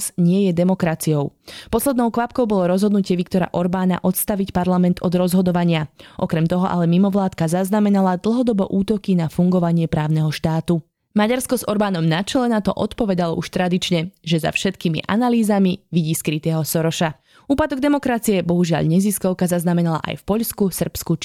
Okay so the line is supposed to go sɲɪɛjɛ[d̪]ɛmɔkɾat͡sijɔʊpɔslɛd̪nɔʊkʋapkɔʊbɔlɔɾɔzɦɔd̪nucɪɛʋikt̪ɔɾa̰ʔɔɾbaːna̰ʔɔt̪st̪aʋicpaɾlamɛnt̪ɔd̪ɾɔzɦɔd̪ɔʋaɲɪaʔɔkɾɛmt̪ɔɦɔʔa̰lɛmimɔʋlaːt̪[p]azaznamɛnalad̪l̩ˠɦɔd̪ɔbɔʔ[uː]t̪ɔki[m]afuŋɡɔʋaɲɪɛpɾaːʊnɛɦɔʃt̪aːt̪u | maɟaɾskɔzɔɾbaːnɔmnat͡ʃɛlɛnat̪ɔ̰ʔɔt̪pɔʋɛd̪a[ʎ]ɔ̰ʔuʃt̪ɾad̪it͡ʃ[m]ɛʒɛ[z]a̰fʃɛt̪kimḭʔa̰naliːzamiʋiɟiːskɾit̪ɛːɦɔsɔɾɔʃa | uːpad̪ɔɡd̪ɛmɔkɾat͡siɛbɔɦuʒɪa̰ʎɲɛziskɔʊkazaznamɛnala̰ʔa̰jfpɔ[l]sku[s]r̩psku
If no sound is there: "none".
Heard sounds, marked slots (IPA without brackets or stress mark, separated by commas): d̪, k, uː, n, l, ɲ, z, ʎ, s